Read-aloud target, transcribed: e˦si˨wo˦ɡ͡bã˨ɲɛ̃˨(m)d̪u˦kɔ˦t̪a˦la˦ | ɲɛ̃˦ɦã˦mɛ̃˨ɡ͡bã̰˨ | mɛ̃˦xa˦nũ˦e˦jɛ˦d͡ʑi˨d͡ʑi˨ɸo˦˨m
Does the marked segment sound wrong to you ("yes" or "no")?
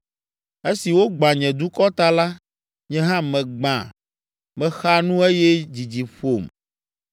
yes